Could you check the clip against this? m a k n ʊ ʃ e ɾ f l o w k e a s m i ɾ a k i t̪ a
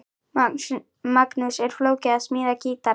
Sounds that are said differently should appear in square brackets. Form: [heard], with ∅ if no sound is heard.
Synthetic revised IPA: m a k n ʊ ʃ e ɾ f l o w k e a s m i ɾ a k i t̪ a